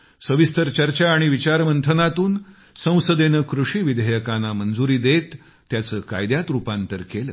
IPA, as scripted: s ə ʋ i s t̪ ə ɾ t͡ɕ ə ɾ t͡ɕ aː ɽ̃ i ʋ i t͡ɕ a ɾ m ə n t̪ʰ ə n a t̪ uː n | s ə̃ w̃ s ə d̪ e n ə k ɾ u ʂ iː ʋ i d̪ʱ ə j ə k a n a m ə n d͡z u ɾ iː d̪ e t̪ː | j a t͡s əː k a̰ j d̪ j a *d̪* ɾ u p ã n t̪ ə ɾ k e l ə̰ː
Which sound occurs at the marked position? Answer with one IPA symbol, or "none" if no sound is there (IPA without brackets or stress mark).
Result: t̪